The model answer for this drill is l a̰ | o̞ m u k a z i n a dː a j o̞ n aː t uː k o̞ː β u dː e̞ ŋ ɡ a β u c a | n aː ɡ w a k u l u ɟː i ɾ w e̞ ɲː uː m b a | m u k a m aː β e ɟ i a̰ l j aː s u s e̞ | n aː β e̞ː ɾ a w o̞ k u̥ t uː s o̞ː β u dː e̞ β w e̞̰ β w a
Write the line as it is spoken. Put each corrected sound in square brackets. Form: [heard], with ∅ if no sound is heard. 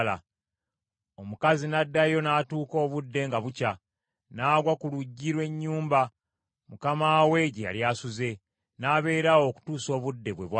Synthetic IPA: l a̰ | o̞ m u k a z i n a dː a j o̞ n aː t uː k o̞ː β u dː e̞ ŋ ɡ a β u c a | n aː ɡ w a k u l u ɟː i ɾ w e̞ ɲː uː m b a | m u k a m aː [w] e ɟ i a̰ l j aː s u [z] e̞ | n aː β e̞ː ɾ a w o̞ k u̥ t uː s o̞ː β u dː e̞ β w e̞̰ β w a